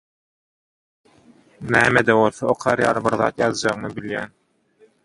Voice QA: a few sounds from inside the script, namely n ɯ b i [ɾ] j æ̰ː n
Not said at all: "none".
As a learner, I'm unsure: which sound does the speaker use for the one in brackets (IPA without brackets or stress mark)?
l